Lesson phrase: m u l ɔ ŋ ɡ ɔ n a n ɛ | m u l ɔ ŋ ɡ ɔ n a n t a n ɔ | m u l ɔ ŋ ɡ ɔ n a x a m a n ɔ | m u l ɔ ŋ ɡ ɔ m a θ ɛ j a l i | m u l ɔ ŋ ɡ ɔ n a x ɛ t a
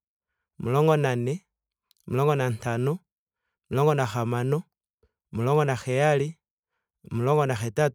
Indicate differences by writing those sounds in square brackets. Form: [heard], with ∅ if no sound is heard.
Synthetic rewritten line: m u l ɔ ŋ ɡ ɔ n a n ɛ | m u l ɔ ŋ ɡ ɔ n a n t a n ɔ | m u l ɔ ŋ ɡ ɔ n a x a m a n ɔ | m u l ɔ ŋ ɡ ɔ [n] a [x] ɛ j a l i | m u l ɔ ŋ ɡ ɔ n a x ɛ t a